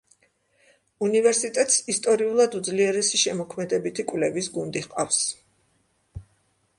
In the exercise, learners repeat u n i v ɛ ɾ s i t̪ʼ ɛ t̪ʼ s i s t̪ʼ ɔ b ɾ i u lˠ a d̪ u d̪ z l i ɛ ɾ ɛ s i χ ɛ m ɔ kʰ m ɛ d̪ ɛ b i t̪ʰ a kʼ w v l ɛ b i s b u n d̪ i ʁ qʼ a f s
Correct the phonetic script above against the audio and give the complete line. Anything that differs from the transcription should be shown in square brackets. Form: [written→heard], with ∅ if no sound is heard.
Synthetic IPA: u n i v ɛ ɾ s i t̪ʼ ɛ t̪ʼ s i s t̪ʼ ɔ [b→∅] ɾ i u lˠ a d̪ u d̪ z l i ɛ ɾ ɛ s i [χ→ʃ] ɛ m ɔ kʰ m ɛ d̪ ɛ b i t̪ʰ [a→i] kʼ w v l ɛ [b→v] i s [b→ɡ] u n d̪ i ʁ qʼ a f s

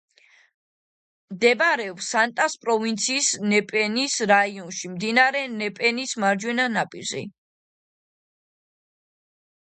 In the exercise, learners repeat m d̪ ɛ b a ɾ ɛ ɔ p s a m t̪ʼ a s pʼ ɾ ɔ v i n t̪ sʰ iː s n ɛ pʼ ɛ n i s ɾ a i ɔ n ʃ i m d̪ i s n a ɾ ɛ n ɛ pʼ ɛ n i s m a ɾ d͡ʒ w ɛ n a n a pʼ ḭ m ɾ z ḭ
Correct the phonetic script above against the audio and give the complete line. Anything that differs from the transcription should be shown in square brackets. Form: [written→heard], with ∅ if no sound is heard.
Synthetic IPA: m d̪ ɛ b a ɾ ɛ ɔ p s a [m→n] t̪ʼ a s pʼ ɾ ɔ v i n t̪ sʰ iː s n ɛ pʼ ɛ n i s ɾ a i ɔ n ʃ i m d̪ i [s→∅] n a ɾ ɛ n ɛ pʼ ɛ n i s m a ɾ d͡ʒ w ɛ n a n a pʼ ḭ [m→∅] ɾ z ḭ

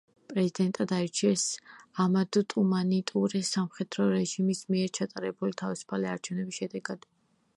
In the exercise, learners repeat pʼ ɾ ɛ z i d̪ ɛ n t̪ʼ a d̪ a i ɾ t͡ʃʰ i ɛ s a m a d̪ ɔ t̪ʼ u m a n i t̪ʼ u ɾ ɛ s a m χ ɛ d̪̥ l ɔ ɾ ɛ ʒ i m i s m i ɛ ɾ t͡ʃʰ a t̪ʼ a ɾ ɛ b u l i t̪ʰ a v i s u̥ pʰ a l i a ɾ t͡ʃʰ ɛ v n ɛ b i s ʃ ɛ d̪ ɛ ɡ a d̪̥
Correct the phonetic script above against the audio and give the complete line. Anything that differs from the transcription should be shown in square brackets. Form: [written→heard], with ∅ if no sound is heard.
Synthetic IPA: pʼ ɾ ɛ z i d̪ ɛ n t̪ʼ a d̪ a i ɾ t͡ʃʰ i ɛ s a m a d̪ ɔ t̪ʼ u m a n i t̪ʼ u ɾ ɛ s a m χ ɛ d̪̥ [l→ɾ] ɔ ɾ ɛ ʒ i m i s m i ɛ ɾ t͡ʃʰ a t̪ʼ a ɾ ɛ b u l i t̪ʰ a v i s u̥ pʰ a l i a ɾ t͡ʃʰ ɛ v n ɛ b i s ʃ ɛ d̪ ɛ ɡ a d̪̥

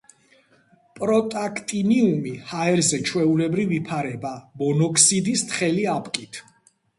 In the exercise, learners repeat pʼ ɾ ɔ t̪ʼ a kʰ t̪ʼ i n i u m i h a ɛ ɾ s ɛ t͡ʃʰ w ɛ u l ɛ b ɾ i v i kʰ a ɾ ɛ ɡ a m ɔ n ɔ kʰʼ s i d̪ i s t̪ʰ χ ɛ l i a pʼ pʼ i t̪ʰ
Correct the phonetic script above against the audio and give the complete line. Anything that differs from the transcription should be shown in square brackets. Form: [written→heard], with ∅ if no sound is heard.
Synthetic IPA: pʼ ɾ ɔ t̪ʼ a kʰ t̪ʼ i n i u m i h a ɛ ɾ [s→z] ɛ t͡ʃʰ w ɛ u l ɛ b ɾ i v i [kʰ→pʰ] a ɾ ɛ [ɡ→b] a m ɔ n ɔ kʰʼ s i d̪ i s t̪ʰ χ ɛ l i a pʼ [pʼ→kʼ] i t̪ʰ

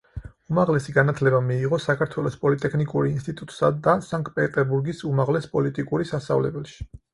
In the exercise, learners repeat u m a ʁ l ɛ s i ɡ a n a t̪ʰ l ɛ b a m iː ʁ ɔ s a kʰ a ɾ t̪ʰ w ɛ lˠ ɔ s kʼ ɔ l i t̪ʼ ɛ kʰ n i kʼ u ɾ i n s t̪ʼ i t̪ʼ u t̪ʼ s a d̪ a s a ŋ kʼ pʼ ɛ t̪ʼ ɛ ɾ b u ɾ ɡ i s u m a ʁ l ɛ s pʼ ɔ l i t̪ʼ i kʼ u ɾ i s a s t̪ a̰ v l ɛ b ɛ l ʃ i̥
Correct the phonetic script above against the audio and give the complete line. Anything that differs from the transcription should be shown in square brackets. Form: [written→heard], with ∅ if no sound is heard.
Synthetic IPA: u m a ʁ l ɛ s i ɡ a n a t̪ʰ l ɛ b a m iː ʁ ɔ s a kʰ a ɾ t̪ʰ w ɛ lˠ ɔ s [kʼ→pʼ] ɔ l i t̪ʼ ɛ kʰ n i kʼ u ɾ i n s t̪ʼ i t̪ʼ u t̪ʼ s a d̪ a s a ŋ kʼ pʼ ɛ t̪ʼ ɛ ɾ b u ɾ ɡ i s u m a ʁ l ɛ s pʼ ɔ l i t̪ʼ i kʼ u ɾ i s a s t̪ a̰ v l ɛ b ɛ l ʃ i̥

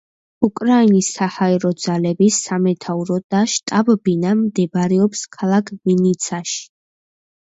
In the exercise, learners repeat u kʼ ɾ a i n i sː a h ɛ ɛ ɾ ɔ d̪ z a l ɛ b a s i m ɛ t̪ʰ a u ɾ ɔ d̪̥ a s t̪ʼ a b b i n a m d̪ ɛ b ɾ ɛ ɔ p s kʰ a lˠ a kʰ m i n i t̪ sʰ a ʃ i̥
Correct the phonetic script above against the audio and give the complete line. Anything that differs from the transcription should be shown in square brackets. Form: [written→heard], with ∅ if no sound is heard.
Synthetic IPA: u kʼ ɾ a i n i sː a h [ɛ→a] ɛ ɾ ɔ d̪ z a l ɛ b [a→i] s [i→a] m ɛ t̪ʰ a u ɾ ɔ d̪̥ a [s→ʃ] t̪ʼ a b b i n a m d̪ ɛ b ɾ ɛ ɔ p s kʰ a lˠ a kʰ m i n i t̪ sʰ a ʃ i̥

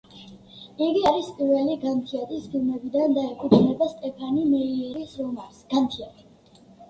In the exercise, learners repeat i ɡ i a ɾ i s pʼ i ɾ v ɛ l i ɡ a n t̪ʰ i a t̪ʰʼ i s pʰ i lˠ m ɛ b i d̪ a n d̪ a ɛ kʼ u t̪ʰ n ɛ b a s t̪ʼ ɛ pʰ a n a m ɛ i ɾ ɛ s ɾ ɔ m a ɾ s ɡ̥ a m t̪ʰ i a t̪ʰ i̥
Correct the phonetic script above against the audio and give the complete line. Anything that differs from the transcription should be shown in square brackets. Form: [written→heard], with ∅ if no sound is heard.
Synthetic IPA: i ɡ i a ɾ i s pʼ i ɾ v ɛ l i ɡ a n t̪ʰ i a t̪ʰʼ i s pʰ i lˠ m ɛ b i d̪ a n d̪ a ɛ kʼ u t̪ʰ n ɛ b a s t̪ʼ ɛ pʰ a n [a→i] m ɛ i ɾ [ɛ→i] s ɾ ɔ m a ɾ s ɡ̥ a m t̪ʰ i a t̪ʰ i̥

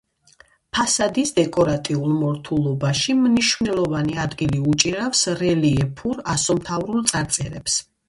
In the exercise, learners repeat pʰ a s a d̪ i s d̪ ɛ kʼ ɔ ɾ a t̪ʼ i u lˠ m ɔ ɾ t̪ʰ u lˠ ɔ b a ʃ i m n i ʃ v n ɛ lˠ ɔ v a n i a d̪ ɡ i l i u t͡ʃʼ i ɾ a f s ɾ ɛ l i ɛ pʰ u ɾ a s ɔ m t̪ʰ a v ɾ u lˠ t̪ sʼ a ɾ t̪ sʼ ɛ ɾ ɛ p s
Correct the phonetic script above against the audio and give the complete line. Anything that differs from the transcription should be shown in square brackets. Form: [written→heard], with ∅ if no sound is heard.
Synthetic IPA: pʰ a s a d̪ i s d̪ ɛ kʼ ɔ ɾ a t̪ʼ i u lˠ m ɔ ɾ t̪ʰ u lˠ ɔ b a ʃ i m n i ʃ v n ɛ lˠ ɔ v a n i a d̪ ɡ i l i u t͡ʃʼ i ɾ a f s ɾ ɛ l i ɛ pʰ u ɾ a s ɔ m t̪ʰ a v ɾ u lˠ t̪ sʼ a ɾ t̪ sʼ ɛ ɾ ɛ p s

